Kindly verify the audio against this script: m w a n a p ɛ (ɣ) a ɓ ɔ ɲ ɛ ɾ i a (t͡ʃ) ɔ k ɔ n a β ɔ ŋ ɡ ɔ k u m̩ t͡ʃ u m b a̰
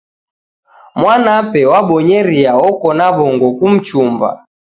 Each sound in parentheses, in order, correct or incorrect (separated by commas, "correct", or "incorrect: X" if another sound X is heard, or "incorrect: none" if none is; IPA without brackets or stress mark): incorrect: w, incorrect: none